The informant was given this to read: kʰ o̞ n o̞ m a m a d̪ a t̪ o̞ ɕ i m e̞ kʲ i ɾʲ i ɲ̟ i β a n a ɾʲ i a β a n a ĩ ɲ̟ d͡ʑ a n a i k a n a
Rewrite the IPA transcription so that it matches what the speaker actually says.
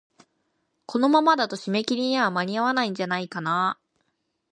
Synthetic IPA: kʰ o̞ n o̞ m a m a d̪ a t̪ o̞ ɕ i m e̞ kʲ i ɾʲ i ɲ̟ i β a m a ɾʲ i a β a n a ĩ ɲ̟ d͡ʑ a n a i k a n a